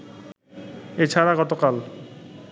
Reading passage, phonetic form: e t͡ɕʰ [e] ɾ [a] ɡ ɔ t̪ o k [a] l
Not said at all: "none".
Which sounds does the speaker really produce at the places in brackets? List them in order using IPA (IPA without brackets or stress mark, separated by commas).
a, a, a